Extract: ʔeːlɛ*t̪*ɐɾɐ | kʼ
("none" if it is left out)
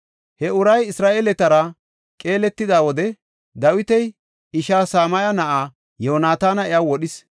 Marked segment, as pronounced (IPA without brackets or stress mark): t̪